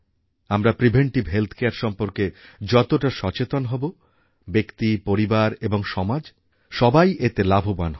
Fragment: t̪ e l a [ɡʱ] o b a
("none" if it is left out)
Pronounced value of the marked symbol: bʱ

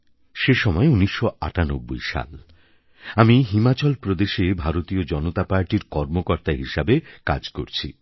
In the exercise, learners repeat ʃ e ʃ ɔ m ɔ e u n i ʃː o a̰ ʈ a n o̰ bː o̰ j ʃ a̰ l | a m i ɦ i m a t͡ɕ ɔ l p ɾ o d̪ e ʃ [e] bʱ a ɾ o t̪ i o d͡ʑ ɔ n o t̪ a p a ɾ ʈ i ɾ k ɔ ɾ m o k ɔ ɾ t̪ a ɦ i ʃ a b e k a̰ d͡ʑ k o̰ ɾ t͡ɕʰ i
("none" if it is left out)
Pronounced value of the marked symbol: e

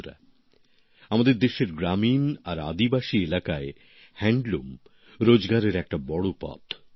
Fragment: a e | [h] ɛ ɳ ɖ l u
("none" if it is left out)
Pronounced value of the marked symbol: h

